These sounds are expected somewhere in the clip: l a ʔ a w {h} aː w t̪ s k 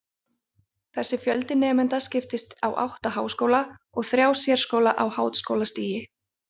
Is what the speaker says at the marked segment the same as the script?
yes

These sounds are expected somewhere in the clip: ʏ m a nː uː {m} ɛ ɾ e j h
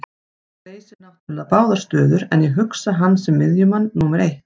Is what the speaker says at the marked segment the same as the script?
yes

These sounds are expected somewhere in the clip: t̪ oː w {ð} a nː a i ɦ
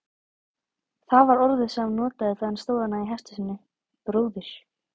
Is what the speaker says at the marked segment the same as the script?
yes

